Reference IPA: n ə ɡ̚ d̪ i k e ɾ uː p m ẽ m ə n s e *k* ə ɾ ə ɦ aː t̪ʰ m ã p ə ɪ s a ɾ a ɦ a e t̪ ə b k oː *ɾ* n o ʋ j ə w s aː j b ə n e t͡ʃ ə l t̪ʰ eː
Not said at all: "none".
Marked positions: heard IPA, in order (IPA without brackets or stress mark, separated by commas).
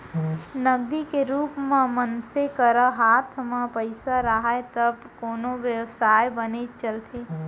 k, none